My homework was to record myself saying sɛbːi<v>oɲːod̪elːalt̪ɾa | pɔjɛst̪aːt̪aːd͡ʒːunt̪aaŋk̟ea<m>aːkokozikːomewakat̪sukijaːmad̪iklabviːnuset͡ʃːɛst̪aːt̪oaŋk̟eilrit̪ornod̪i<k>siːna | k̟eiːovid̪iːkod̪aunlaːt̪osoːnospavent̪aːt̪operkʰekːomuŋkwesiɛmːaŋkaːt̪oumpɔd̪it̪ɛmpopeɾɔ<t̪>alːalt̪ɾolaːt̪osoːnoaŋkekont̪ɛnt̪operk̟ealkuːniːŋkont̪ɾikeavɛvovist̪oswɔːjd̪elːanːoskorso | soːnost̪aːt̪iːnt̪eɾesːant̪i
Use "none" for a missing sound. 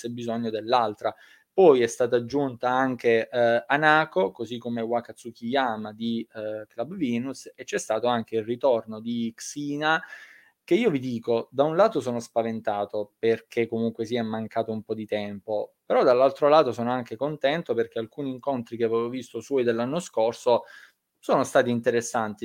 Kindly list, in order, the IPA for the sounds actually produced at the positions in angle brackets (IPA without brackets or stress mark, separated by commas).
z, n, k, d̪